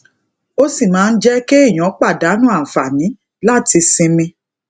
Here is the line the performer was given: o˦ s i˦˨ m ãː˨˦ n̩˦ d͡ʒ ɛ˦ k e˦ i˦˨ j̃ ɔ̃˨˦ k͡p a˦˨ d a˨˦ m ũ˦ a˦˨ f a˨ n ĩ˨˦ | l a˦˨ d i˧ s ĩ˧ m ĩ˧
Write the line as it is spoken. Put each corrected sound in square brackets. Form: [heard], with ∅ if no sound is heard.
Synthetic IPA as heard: o˦ s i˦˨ m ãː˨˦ n̩˦ d͡ʒ ɛ˦ k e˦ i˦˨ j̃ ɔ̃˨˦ k͡p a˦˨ d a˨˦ [n] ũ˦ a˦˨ f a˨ n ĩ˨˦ | l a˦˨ [t] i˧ s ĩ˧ m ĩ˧